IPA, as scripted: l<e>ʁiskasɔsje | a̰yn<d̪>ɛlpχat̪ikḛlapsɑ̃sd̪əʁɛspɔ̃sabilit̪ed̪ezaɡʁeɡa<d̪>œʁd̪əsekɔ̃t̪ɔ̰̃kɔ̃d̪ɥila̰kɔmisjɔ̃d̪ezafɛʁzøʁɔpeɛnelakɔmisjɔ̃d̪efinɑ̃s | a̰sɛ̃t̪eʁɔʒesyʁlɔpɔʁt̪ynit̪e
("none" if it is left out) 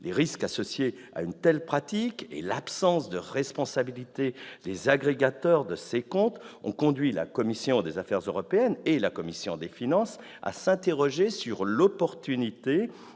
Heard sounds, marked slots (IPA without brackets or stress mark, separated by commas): e, t̪, t̪